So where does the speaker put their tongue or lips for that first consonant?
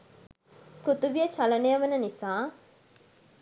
velum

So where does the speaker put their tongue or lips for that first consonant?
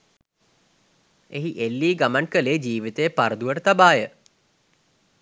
throat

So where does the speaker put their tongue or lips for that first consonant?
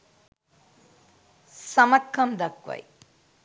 tongue tip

